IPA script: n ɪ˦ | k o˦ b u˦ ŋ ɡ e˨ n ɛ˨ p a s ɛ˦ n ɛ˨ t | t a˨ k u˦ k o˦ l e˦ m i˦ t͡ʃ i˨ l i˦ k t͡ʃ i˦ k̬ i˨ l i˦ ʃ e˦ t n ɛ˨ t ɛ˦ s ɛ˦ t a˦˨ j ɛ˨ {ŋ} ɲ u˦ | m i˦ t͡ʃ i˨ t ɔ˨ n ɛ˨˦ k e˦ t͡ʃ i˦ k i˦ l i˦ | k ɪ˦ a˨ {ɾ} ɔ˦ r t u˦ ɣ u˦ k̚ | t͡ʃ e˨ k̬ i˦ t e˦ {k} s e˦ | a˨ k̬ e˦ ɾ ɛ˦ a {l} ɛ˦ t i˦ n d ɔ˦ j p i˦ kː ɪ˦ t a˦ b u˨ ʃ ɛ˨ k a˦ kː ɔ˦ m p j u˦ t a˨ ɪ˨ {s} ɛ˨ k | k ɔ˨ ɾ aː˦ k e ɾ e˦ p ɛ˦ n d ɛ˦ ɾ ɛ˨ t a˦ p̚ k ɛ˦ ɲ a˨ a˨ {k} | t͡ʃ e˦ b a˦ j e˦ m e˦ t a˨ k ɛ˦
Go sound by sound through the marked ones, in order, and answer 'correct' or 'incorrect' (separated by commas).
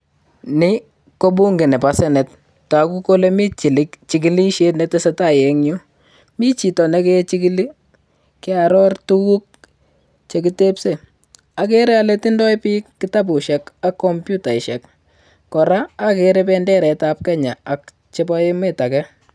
correct, correct, incorrect, correct, incorrect, correct